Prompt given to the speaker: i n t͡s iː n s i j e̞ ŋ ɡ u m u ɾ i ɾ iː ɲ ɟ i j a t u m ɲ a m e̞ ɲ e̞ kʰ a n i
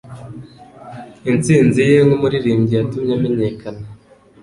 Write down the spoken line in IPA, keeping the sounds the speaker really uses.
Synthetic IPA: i n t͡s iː n z i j e̞ ŋ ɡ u m u ɾ i ɾ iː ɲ ɟ i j a t u m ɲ a m e̞ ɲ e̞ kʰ a n a